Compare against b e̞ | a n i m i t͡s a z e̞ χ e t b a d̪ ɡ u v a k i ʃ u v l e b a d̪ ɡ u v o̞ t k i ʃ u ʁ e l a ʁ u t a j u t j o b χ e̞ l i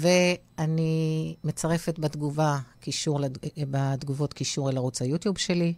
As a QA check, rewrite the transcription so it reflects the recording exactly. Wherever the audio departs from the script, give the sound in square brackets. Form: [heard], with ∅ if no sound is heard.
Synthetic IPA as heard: [v] e̞ | a n i m [e] t͡s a [ʁ] e̞ [f] e t b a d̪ ɡ u v a k i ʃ u [ʁ] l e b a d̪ ɡ u v o̞ t k i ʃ u ʁ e l a ʁ u [t͡s] a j u t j [u] b [ʃ] e̞ l i